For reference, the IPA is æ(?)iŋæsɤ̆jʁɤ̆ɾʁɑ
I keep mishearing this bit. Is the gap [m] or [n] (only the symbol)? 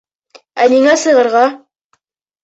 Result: n